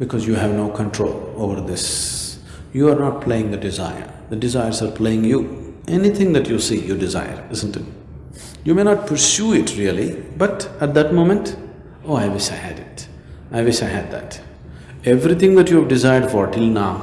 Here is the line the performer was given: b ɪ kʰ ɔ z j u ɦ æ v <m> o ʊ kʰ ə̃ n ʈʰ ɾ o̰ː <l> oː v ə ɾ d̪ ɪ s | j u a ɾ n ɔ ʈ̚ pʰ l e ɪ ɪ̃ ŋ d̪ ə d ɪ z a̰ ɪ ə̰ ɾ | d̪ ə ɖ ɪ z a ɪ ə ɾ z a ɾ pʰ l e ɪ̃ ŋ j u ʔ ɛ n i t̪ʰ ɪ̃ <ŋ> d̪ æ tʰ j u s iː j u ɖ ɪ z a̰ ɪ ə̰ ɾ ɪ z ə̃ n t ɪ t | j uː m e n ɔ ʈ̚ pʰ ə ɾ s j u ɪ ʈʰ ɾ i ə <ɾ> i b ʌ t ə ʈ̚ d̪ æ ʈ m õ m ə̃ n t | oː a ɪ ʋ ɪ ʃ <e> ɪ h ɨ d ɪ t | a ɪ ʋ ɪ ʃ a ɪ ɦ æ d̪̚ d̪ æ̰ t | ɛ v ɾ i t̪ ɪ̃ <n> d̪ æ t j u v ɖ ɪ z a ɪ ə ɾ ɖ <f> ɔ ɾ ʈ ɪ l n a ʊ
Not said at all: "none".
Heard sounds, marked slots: n, l, ŋ, l, a, ŋ, f

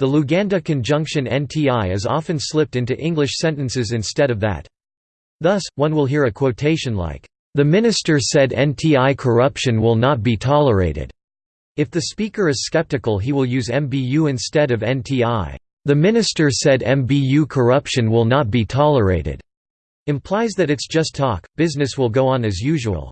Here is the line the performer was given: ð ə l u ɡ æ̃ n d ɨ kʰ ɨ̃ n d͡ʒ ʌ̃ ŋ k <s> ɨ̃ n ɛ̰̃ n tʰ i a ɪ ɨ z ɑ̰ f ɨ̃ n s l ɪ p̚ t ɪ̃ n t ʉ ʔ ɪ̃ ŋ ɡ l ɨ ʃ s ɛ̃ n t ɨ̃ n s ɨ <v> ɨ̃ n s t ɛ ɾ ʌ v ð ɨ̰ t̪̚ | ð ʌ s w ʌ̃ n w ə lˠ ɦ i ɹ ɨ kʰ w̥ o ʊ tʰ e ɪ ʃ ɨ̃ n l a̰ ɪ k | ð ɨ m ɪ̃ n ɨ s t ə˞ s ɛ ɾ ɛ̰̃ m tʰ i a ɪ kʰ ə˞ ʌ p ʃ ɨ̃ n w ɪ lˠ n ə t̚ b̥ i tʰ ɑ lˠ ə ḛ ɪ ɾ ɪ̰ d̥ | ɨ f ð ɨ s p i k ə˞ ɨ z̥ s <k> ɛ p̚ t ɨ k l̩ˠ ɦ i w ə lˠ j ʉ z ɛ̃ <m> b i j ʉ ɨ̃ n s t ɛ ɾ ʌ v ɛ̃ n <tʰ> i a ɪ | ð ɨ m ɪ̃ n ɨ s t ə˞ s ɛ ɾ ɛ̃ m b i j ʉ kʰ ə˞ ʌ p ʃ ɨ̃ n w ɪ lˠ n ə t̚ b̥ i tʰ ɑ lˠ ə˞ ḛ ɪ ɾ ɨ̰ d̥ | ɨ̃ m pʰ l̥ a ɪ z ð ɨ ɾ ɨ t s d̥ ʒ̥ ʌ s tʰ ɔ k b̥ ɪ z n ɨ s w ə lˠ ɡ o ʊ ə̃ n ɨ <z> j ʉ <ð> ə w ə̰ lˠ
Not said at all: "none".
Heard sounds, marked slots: ʃ, z, k, m, tʰ, z, ʒ

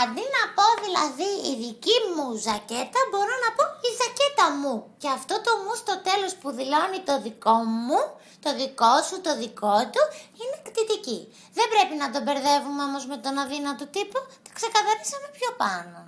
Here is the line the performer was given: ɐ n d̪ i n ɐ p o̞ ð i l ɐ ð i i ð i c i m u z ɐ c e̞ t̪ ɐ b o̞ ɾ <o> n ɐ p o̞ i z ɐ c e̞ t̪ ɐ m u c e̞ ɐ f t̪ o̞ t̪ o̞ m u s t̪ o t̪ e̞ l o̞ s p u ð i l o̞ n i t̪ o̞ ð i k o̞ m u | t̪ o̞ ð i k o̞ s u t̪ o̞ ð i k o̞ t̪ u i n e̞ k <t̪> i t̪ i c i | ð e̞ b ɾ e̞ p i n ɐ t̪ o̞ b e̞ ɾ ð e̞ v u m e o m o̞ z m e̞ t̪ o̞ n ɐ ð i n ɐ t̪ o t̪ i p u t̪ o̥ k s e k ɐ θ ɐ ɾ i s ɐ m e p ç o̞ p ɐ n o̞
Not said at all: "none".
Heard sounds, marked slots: o, t̪

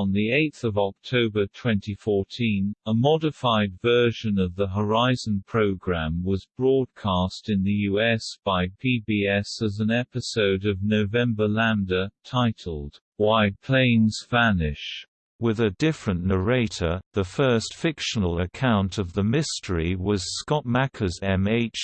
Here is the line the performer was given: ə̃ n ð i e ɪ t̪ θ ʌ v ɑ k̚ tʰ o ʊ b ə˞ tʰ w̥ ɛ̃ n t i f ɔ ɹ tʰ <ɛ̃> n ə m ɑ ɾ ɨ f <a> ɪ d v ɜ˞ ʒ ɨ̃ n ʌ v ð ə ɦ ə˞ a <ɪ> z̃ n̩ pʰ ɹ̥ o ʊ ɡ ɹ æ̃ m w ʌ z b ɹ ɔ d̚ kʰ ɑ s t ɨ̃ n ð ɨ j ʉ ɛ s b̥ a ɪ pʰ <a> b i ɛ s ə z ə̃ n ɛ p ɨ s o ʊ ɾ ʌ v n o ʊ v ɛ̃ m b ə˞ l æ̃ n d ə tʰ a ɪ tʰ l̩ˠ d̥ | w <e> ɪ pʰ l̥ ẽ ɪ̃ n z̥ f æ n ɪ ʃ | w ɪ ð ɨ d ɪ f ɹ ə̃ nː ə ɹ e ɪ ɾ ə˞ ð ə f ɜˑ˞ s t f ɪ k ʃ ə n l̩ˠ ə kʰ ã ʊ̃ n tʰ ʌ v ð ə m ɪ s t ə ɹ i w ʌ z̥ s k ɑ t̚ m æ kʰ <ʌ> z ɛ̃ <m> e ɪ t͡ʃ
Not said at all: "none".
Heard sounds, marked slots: ĩ, a, ɪ, i, a, ə, m

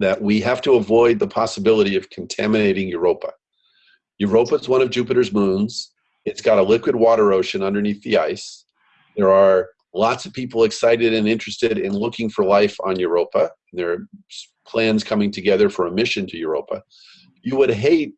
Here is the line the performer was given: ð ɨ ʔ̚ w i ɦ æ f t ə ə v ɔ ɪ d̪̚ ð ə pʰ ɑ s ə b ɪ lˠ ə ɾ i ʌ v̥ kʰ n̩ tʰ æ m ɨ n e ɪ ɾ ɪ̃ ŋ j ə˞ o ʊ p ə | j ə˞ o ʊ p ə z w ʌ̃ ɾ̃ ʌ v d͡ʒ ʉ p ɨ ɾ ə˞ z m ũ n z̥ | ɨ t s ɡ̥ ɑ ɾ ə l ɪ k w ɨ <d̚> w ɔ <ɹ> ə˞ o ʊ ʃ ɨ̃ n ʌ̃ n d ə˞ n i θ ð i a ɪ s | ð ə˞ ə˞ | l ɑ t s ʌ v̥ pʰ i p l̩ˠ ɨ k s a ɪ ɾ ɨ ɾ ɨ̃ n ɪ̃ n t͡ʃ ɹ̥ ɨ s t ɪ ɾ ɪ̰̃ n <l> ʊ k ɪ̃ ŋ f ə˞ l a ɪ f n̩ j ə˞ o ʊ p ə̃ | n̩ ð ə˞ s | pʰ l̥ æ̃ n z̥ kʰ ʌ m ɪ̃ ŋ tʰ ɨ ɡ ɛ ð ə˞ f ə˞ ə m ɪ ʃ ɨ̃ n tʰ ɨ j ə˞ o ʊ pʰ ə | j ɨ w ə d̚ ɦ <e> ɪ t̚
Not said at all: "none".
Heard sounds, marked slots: d̚, ɾ, l, e

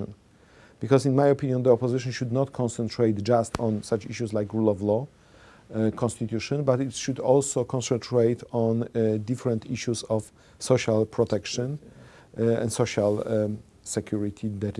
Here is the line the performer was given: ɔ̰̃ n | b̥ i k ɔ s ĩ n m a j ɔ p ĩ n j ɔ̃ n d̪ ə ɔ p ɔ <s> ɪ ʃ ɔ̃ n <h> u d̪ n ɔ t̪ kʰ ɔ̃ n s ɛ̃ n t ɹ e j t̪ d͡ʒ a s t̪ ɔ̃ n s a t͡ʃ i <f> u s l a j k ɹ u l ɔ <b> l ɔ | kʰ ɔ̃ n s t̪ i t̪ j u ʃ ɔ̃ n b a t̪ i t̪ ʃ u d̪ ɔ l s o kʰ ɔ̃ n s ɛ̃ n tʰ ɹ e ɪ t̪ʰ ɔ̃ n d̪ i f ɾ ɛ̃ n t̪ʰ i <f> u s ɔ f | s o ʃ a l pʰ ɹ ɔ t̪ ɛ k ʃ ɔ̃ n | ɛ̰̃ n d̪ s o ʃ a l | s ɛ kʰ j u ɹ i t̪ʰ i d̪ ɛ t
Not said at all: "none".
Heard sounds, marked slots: z, ʃ, ʃ, v, ʃ

